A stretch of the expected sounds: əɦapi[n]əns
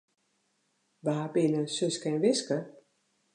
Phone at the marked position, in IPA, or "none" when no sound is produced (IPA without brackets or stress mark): n